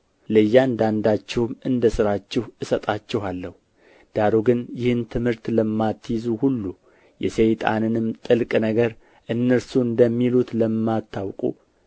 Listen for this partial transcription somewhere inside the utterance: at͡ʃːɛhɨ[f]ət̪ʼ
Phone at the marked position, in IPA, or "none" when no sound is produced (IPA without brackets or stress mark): s